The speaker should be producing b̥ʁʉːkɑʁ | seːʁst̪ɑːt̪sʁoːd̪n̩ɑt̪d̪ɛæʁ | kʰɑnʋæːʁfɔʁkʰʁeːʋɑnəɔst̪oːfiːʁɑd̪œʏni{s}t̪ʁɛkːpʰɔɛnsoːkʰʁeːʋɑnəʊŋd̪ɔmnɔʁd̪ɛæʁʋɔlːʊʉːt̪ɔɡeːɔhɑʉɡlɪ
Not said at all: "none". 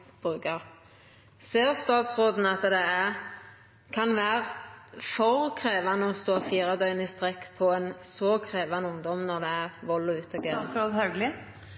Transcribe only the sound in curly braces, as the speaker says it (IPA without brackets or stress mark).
s